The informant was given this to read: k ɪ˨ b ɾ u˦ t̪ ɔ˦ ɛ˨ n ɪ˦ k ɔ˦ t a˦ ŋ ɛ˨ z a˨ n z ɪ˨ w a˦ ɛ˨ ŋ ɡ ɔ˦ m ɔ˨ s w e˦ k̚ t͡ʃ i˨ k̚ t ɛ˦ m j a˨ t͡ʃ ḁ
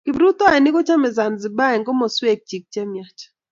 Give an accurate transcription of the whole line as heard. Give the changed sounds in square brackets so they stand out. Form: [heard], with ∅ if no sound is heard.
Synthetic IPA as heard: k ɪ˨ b ɾ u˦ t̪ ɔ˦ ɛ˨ n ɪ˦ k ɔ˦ [t͡ʃ] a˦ [m] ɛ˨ z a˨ n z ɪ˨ [b] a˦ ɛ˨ ŋ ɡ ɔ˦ m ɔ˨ s w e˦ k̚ t͡ʃ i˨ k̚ [t͡ʃ] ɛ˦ m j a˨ t͡ʃ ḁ